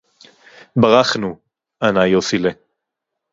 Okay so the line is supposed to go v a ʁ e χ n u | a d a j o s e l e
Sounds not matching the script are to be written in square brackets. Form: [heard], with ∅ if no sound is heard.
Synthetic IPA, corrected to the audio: [b] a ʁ [a] χ n u | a [n] a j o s [i] l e